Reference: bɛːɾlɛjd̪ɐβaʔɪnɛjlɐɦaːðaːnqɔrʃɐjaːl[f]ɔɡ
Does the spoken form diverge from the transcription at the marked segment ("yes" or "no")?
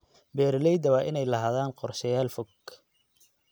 no